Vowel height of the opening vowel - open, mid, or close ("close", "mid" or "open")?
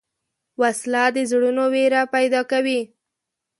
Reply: open